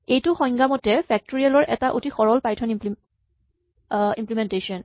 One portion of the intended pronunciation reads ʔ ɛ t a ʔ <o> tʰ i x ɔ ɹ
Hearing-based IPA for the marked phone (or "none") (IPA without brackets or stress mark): o